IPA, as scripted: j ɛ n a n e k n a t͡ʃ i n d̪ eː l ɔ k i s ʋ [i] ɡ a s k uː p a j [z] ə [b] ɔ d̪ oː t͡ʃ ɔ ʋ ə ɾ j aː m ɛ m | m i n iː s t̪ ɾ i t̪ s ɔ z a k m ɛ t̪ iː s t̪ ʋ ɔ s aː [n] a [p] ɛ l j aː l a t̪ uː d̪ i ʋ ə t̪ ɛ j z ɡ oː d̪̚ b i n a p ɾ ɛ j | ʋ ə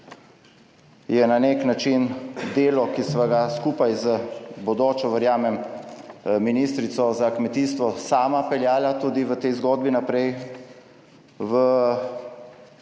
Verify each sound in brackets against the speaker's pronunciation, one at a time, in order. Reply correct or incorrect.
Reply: incorrect: a, correct, correct, incorrect: m, correct

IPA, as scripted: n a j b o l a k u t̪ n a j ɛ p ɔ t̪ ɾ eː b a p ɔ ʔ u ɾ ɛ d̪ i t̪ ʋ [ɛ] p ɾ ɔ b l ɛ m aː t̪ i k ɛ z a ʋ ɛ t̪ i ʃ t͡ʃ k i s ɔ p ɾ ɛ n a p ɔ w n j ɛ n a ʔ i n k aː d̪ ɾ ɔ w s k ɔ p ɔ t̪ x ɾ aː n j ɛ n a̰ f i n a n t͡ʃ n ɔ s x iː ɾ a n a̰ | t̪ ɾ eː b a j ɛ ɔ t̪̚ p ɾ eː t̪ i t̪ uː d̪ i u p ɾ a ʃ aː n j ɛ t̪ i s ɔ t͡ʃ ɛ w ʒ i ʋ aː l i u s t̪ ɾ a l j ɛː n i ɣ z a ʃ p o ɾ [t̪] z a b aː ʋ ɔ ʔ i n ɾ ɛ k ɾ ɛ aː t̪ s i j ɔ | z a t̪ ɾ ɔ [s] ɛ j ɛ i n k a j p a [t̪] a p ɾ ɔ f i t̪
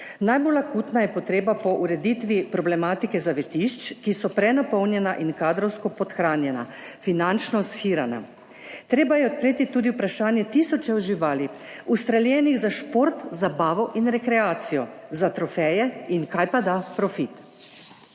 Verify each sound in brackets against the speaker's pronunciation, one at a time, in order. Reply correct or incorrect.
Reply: incorrect: i, correct, incorrect: f, incorrect: d̪

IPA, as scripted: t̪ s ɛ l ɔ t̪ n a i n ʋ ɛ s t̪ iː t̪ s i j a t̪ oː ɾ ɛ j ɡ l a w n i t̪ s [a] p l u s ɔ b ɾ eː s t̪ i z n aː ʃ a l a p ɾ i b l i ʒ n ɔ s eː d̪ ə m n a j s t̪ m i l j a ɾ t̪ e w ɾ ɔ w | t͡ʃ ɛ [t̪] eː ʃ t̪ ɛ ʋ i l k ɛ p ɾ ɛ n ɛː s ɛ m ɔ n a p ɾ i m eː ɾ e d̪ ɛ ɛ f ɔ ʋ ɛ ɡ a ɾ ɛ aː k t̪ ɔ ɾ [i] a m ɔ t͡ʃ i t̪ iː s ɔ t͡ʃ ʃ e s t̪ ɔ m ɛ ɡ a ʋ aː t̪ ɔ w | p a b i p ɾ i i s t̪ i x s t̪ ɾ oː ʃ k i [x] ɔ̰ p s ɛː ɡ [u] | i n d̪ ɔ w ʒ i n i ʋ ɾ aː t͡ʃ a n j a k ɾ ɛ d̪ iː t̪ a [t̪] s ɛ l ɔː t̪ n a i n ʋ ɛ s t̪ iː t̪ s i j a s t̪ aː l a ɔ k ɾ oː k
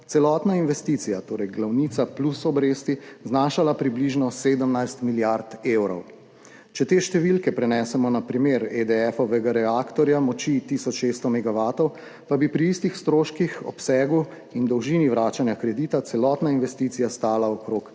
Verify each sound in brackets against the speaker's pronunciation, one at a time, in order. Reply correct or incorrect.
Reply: correct, correct, incorrect: j, correct, correct, correct

